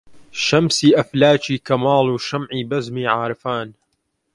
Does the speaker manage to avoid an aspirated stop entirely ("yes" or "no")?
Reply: yes